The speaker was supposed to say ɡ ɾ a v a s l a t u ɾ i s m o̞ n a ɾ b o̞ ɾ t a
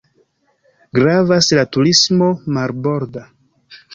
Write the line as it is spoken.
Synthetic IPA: ɡ ɾ a v a s l a t u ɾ i s m o̞ m a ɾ b o̞ ɾ d a